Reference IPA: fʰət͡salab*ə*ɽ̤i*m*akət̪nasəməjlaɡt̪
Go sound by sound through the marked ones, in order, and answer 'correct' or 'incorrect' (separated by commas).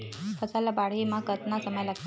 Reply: incorrect, correct